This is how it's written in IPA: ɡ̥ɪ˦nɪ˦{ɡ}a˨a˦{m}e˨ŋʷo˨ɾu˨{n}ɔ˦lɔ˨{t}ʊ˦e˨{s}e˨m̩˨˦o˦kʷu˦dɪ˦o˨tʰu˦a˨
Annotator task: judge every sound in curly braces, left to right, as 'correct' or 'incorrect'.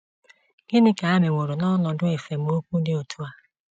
incorrect: k, correct, correct, incorrect: d, incorrect: f

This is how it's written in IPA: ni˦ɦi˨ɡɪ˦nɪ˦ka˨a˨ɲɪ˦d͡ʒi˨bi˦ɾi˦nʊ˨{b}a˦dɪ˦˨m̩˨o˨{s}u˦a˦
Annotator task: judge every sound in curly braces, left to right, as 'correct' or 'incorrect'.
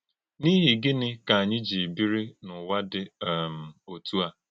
incorrect: w, incorrect: t

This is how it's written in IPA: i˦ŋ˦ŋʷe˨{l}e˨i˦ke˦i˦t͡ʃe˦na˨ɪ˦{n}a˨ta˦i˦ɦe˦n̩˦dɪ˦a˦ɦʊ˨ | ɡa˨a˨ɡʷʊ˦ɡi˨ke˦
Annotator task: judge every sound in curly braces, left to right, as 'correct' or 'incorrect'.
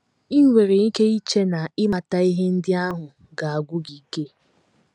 incorrect: ɾ, incorrect: m

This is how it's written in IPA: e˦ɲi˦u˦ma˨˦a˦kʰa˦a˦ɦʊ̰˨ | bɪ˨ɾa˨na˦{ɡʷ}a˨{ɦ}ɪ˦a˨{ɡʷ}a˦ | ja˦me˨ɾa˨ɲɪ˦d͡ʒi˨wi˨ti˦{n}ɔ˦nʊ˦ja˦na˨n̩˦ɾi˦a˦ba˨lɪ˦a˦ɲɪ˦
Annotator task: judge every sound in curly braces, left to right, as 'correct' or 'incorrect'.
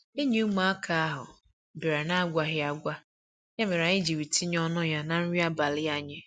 correct, correct, correct, incorrect: ɲ

